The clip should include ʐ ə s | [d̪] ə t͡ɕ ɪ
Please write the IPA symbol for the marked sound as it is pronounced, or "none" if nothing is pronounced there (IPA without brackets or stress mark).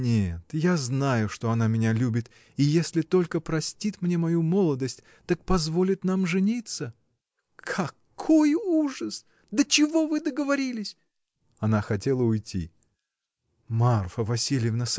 d̪